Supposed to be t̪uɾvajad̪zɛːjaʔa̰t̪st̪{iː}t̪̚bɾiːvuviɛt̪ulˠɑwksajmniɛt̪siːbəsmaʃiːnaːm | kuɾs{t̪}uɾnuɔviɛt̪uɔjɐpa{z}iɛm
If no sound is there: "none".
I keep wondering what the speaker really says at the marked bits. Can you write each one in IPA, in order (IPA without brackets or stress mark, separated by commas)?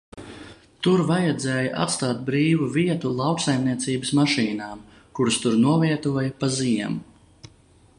aː, t̪, z